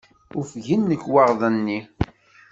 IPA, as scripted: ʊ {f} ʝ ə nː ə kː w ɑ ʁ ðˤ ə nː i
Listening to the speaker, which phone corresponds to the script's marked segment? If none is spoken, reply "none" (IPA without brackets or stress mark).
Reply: f